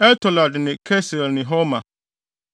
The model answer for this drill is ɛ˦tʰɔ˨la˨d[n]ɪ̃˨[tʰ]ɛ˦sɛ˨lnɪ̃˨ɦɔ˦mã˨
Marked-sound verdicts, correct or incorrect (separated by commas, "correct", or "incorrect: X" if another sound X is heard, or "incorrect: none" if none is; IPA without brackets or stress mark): correct, incorrect: kʰ